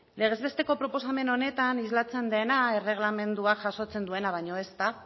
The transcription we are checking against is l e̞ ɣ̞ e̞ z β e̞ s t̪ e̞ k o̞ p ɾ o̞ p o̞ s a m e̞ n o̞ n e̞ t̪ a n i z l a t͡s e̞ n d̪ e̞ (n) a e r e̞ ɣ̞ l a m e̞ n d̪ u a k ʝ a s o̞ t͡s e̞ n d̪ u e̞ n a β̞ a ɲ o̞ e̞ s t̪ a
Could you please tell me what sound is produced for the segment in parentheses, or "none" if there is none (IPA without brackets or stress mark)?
n